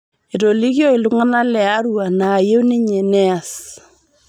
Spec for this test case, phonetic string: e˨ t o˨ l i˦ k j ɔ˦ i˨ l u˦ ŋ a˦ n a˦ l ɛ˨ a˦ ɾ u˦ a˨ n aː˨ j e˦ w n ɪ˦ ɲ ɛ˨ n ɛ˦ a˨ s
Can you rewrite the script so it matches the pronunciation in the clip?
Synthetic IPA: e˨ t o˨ l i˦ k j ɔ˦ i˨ l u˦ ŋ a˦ n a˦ l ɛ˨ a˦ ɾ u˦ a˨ n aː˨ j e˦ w n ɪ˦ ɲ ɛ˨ n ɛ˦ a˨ s